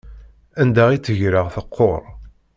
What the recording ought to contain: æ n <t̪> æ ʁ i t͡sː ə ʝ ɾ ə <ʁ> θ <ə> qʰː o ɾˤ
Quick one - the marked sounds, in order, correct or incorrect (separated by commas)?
incorrect, correct, correct